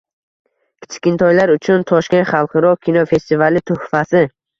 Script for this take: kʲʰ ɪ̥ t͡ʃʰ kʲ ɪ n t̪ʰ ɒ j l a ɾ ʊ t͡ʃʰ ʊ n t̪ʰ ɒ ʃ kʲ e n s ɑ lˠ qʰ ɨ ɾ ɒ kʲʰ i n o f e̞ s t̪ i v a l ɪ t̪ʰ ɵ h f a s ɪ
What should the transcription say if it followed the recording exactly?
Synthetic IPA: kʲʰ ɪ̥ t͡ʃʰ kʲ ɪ n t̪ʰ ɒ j l a ɾ ʊ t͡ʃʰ ʊ n t̪ʰ ɒ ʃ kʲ e n χ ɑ lˠ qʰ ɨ ɾ ɒ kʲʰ i n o f e̞ s t̪ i v a l ɪ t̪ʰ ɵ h f a s ɪ